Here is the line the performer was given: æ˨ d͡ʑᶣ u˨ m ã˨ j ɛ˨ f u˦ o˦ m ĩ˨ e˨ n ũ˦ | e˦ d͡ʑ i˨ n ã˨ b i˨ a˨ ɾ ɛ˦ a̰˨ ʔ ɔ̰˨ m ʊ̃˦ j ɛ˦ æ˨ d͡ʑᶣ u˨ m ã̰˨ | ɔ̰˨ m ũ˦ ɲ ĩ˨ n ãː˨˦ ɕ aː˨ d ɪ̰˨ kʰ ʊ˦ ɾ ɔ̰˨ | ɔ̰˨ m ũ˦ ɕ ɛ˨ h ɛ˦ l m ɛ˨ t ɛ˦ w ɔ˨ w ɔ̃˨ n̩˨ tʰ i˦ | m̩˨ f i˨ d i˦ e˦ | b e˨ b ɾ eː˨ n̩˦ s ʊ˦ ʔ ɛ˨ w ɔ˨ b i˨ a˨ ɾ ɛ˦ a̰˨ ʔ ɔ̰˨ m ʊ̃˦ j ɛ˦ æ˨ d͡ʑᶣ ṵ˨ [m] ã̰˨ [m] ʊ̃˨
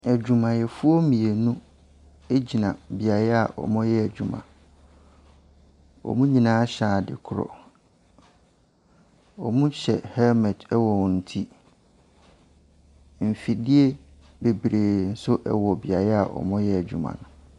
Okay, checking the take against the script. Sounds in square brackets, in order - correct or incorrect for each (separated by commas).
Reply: correct, incorrect